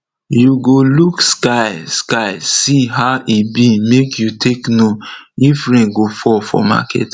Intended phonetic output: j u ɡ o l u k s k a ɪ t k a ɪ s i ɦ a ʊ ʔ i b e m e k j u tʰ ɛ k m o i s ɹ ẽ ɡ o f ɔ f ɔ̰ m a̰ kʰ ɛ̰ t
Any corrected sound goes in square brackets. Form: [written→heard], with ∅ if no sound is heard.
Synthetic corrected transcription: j u ɡ o l u k s k a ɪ [t→s] k a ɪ s i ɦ a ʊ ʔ i b [e→i] m e k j u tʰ [ɛ→e] k [m→n] o i [s→f] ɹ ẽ ɡ o f ɔ f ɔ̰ m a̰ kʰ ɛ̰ t